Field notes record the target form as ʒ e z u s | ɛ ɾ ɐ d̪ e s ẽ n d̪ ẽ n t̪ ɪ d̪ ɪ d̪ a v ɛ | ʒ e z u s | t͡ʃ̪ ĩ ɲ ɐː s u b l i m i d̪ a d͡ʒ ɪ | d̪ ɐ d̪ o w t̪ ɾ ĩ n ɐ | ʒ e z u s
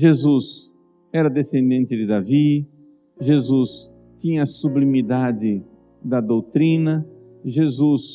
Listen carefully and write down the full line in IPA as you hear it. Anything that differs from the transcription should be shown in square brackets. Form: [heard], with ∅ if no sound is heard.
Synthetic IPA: ʒ e z u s | ɛ ɾ ɐ d̪ e s ẽ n d̪ ẽ n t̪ ɪ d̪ ɪ d̪ a v [i] | ʒ e z u s | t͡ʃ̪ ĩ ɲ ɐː s u b l i m i d̪ a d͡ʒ ɪ | d̪ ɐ d̪ o w t̪ ɾ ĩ n ɐ | ʒ e z u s